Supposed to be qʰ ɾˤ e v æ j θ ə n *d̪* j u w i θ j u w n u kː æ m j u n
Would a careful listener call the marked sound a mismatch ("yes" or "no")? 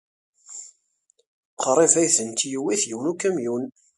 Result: yes